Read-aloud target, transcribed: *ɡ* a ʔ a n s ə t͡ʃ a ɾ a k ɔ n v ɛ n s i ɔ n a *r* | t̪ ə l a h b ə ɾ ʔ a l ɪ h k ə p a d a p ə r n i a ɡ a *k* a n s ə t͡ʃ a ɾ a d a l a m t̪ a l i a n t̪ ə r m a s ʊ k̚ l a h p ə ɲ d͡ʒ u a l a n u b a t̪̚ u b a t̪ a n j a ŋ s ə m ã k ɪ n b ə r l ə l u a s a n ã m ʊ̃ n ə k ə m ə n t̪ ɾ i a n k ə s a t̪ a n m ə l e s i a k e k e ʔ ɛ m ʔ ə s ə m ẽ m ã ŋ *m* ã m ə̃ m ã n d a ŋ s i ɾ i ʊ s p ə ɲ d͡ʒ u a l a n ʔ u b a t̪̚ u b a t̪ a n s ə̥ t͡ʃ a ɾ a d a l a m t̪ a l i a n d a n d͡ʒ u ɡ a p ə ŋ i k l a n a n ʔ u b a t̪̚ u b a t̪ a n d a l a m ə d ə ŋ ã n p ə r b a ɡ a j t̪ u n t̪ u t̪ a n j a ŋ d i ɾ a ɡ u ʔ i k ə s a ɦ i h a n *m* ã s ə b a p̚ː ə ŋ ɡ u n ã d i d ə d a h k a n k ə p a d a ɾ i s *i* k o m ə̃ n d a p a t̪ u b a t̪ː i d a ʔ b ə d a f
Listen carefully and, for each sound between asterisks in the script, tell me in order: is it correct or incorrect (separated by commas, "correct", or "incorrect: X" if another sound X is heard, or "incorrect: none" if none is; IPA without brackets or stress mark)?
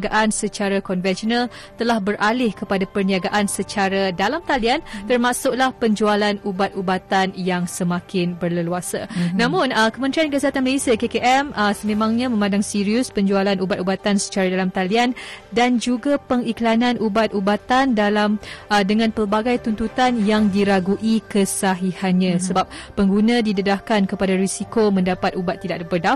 correct, incorrect: l, incorrect: ʔ, incorrect: ɲ, incorrect: ɲ, correct